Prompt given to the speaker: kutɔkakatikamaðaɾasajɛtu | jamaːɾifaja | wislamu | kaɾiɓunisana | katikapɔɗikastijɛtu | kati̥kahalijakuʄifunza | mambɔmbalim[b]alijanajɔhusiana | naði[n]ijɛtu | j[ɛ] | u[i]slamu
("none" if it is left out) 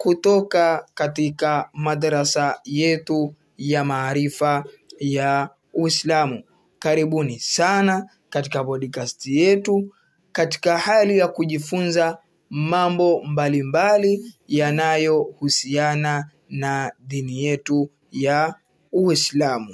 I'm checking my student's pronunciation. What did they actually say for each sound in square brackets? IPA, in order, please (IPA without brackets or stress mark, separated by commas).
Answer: b, n, a, i